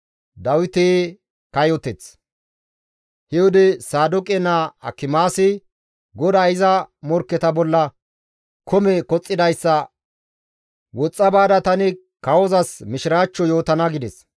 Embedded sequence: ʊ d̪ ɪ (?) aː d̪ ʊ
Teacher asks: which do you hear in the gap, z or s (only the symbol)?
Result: s